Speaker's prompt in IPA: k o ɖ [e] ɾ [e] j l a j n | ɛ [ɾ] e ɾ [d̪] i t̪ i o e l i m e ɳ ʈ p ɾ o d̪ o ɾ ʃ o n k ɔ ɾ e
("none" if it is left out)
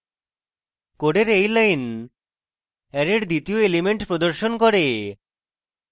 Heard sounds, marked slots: e, e, ɾ, d̪

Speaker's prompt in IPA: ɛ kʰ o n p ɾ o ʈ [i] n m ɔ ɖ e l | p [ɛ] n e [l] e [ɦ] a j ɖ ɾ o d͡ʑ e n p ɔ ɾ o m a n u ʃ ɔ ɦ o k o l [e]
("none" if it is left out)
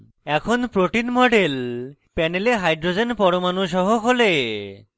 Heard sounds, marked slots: i, ɛ, l, ɦ, e

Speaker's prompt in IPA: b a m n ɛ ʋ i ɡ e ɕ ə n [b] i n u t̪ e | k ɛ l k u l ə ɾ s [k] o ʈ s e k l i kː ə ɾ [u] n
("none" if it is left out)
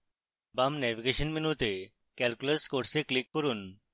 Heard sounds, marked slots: m, k, uː

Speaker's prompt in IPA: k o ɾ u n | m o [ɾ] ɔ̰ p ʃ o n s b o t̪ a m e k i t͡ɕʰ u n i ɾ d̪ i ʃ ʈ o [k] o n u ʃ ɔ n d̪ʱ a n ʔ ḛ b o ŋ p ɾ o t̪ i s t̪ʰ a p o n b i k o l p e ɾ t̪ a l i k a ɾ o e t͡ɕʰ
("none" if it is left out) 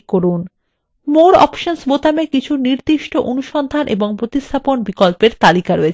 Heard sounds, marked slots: ɾ, ʔ

